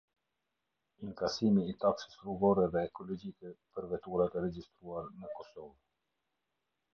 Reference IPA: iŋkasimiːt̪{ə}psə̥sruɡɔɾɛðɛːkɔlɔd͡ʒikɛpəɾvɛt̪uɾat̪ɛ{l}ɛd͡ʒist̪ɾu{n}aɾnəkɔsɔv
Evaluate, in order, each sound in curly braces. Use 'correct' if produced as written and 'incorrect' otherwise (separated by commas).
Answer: incorrect, incorrect, incorrect